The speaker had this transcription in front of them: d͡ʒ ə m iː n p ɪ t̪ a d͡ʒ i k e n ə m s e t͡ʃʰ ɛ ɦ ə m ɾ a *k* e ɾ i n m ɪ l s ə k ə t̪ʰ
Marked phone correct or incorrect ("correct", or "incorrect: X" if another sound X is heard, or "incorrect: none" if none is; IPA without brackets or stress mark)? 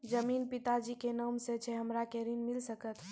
correct